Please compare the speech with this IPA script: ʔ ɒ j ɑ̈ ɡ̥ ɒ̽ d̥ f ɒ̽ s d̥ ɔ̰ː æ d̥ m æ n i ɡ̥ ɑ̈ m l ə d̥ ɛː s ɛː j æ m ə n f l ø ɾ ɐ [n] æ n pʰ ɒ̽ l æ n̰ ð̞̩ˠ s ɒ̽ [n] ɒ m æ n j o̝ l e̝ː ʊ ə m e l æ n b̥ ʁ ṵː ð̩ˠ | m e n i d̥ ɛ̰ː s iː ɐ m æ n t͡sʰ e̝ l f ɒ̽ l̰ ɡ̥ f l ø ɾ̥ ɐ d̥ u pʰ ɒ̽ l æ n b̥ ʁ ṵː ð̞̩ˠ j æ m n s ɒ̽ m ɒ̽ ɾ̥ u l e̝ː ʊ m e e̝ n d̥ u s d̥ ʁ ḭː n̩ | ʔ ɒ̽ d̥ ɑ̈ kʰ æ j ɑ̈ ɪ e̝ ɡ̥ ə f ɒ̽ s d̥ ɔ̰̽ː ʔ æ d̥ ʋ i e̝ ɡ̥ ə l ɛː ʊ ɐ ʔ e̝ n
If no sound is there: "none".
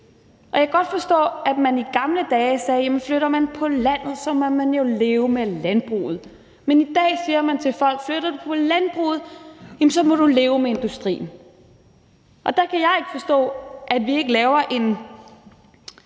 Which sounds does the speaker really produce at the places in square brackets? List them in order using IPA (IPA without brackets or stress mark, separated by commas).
m, m